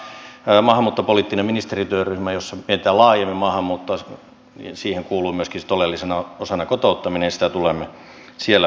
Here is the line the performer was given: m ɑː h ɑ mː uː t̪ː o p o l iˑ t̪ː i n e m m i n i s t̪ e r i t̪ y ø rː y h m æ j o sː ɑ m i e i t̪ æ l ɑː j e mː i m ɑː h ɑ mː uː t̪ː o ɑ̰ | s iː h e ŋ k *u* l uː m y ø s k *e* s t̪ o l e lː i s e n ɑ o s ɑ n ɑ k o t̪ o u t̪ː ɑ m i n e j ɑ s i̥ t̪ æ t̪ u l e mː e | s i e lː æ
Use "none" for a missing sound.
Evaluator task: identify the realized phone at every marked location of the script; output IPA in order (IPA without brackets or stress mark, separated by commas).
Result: uː, i